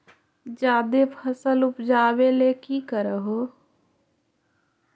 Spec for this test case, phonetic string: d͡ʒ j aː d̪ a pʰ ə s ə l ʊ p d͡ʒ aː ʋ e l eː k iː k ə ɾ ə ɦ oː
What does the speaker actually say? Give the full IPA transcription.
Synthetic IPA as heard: d͡ʒ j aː d̪ e pʰ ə s ə l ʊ p d͡ʒ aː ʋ e l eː k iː k ə ɾ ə ɦ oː

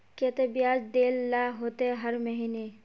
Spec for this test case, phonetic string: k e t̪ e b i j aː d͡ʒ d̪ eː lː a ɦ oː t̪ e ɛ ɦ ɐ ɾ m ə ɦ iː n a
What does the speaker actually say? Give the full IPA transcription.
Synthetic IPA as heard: k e t̪ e b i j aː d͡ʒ d̪ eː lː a ɦ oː t̪ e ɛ ɦ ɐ ɾ m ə ɦ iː n e

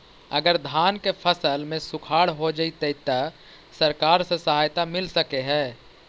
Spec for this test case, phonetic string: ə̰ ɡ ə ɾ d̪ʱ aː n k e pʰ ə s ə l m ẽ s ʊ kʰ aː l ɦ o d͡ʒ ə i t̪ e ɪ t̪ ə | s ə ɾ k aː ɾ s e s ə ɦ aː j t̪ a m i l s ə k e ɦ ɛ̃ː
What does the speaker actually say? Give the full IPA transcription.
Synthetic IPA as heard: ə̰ ɡ ə ɾ d̪ʱ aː n k e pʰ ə s ə l m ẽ s ʊ kʰ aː ɽ ɦ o d͡ʒ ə i t̪ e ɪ t̪ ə | s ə ɾ k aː ɾ s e s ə ɦ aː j t̪ a m ɪ l s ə k e ɦ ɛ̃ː

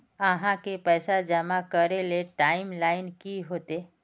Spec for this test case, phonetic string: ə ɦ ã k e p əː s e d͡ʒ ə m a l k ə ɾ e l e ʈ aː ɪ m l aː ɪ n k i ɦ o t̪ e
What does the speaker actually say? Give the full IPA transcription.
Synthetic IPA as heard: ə ɦ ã k e p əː s a d͡ʒ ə m a k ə ɾ e l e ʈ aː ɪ m l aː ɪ n k i ɦ o t̪ e

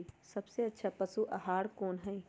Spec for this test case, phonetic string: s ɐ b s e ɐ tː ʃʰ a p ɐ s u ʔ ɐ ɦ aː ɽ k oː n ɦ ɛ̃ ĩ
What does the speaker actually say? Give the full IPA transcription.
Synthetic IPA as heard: s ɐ b s e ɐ tː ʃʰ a p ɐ s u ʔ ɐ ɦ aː ɽ k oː n ɦ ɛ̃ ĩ

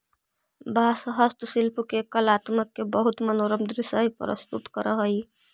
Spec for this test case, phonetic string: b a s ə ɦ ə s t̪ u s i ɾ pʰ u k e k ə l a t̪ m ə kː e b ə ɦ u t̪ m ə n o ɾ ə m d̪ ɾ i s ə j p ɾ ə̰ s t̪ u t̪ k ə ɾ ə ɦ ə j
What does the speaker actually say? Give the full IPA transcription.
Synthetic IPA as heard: b a s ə ɦ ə s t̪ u s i l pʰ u k e k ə l a t̪ m ə kː e b ə ɦ u t̪ m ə n o ɾ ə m d̪ ɾ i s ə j p ɾ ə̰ s t̪ u t̪ k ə ɾ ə ɦ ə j

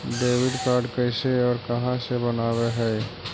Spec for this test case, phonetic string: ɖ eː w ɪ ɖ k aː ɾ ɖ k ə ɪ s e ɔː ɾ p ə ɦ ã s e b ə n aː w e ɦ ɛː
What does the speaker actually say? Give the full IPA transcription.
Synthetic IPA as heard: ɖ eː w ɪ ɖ k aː ɾ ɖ k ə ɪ s e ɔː ɾ k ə ɦ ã s e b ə n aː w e ɦ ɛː

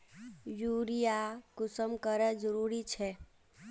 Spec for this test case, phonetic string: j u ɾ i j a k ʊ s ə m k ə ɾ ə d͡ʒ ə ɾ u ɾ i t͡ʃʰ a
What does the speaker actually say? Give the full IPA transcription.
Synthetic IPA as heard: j u ɾ i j a k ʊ s ə m k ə ɾ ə d͡ʒ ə ɾ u ɾ i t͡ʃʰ ɛ

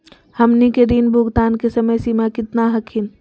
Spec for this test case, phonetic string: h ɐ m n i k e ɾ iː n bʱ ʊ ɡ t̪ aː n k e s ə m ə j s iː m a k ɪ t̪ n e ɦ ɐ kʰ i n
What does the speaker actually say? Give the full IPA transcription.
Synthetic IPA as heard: h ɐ m n i k e ɾ iː n bʱ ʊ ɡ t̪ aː n k e s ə m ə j s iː m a k ɪ t̪ n a ɦ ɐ kʰ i n

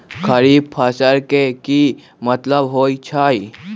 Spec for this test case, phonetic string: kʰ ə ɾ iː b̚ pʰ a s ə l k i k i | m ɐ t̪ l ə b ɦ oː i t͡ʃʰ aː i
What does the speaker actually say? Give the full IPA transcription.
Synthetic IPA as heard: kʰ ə ɾ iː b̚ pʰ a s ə ɾ k e k i | m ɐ t̪ l ə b ɦ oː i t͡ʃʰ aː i

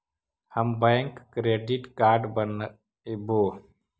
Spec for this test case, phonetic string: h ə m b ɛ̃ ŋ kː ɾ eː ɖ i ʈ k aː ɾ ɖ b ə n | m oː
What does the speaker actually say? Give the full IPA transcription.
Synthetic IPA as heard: h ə m b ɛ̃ ŋ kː ɾ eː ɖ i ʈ k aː ɾ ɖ b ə n | b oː

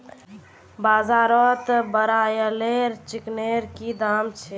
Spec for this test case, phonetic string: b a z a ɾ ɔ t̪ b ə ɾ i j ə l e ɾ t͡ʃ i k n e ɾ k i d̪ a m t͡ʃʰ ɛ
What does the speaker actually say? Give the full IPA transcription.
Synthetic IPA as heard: b a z a ɾ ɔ t̪ b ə ɾ a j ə l e ɾ t͡ʃ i k n e ɾ k i d̪ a m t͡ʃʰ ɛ

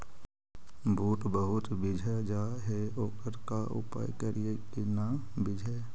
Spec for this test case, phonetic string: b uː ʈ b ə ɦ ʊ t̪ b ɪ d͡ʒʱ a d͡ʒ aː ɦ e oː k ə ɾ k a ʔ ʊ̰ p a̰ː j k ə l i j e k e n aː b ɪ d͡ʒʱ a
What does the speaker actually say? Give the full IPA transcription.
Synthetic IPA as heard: b uː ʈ b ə ɦ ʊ t̪ b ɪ d͡ʒʱ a d͡ʒ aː ɦ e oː k ə ɾ k a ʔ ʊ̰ p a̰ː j k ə ɾ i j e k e n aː b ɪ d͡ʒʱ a

